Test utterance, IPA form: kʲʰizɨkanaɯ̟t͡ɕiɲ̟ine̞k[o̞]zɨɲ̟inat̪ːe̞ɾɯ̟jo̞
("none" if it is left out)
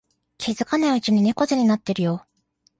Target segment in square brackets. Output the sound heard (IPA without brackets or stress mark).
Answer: o̞